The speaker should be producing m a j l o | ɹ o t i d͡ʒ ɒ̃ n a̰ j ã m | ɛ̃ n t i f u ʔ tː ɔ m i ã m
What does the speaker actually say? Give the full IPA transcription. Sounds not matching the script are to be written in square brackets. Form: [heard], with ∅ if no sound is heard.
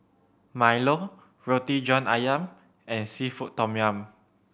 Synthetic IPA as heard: m a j l o | ɹ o t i d͡ʒ [ɔ̃] n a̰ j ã m | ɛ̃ n [s] i f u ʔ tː ɔ m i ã m

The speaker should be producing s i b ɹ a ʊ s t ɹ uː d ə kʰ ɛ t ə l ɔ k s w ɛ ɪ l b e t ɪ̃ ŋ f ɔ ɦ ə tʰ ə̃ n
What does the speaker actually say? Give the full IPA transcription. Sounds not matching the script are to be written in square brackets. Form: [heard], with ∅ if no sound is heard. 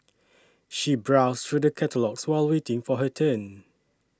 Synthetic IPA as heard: [ʃ] i b ɹ a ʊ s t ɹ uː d ə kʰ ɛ t ə l ɔ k s w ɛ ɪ l [w] e t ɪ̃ ŋ f ɔ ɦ ə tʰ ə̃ n

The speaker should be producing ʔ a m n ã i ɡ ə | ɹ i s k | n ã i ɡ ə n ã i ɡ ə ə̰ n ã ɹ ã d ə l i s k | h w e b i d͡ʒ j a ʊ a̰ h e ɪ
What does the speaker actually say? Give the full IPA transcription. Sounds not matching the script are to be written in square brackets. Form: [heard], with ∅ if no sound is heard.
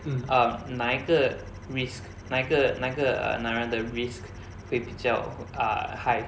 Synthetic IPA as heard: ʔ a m n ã i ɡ ə | ɹ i s k | n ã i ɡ ə n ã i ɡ ə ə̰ n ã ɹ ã d ə [ɹ] i s k | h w e b i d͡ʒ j a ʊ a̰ h [a] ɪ

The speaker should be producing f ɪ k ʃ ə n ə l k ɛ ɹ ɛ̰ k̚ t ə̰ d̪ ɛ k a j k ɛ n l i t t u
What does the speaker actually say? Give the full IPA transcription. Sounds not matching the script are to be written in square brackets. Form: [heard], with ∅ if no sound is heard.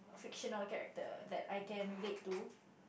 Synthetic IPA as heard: f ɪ k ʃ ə n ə l k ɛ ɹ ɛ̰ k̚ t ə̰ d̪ ɛ [t] a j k [ɛ̃] n l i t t u

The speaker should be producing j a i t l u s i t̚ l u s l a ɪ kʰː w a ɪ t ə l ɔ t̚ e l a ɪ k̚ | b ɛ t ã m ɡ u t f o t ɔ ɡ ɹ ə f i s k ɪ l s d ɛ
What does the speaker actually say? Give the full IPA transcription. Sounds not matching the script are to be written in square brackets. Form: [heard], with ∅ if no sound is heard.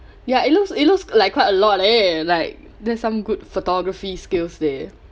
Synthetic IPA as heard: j a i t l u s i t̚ l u s l a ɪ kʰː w a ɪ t ə l ɔ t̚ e l a ɪ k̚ | [d] ɛ [s] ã m ɡ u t f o t ɔ ɡ ɹ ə f i s k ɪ l s d ɛ

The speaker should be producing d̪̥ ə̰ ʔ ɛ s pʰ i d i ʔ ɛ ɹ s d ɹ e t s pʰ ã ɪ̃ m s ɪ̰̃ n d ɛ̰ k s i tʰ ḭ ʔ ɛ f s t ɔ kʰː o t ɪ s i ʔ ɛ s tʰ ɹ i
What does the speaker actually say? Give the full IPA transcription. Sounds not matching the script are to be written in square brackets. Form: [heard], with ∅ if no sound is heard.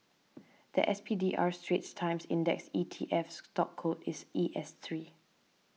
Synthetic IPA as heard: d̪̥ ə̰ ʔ ɛ s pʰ i d i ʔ [a] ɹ s [t] ɹ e t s [tʰ] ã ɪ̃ m s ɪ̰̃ n d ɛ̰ k s i tʰ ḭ ʔ ɛ f s t ɔ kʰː o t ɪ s i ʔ ɛ s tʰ ɹ i

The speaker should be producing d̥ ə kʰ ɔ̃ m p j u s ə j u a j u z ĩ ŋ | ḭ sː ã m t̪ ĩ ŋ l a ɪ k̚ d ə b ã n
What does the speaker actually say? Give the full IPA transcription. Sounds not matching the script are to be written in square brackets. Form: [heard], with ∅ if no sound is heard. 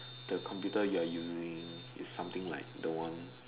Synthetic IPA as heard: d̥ ə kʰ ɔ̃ m p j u [t] ə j u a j u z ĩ ŋ | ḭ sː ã m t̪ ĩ ŋ l a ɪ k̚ d ə [w] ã n

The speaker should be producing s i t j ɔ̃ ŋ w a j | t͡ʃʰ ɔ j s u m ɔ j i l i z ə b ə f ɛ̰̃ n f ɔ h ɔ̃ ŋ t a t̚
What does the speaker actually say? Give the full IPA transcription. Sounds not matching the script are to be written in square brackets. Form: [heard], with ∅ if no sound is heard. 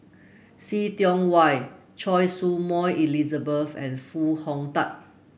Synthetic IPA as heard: s i t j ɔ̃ ŋ w a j | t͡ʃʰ ɔ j s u m ɔ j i l i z ə b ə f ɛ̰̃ n f [u] h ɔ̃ ŋ t a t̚

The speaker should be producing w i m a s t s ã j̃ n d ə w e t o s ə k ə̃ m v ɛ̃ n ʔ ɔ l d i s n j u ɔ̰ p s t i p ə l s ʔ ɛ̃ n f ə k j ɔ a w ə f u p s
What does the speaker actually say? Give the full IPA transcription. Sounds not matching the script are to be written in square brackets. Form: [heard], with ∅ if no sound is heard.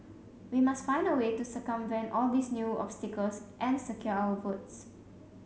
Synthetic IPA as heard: w i m a s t [f] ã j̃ n d ə w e t [u] s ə k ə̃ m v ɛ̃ n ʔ ɔ l d i s n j u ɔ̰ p s t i [k] ə l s ʔ ɛ̃ n [s] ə k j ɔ a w ə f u [t] s

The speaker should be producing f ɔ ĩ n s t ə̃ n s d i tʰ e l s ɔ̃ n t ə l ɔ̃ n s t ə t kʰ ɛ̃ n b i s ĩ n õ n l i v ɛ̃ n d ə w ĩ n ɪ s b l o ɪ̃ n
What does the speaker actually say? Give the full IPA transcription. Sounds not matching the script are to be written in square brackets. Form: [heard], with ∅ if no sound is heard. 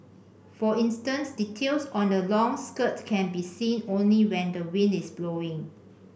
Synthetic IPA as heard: f ɔ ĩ n s t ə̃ n s d i tʰ e l s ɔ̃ n [d] ə l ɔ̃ [ŋ] s [k] ə t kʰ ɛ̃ n b i s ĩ n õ n l i [w] ɛ̃ n d ə w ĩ n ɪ s b l o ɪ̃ [ŋ]

